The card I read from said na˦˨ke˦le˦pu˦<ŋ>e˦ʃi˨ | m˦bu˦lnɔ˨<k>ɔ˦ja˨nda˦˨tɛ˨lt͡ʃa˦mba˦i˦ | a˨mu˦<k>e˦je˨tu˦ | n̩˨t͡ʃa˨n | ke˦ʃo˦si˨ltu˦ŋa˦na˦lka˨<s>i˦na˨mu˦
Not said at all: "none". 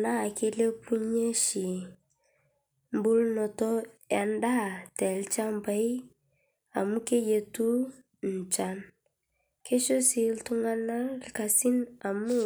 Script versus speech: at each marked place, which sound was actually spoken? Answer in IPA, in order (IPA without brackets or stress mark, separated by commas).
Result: ɲ, t, k, s